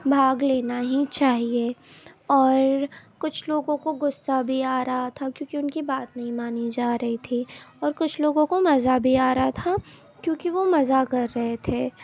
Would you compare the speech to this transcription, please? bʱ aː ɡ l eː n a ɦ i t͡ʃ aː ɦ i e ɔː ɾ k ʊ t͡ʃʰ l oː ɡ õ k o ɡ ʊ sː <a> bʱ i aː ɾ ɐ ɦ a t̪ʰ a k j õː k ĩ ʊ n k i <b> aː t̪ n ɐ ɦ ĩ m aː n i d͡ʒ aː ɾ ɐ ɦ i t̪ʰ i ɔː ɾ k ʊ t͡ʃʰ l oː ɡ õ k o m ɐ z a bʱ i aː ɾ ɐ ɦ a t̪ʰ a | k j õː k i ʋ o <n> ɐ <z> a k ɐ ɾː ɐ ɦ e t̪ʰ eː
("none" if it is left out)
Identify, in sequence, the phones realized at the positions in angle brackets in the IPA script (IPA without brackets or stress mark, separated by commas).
a, b, m, z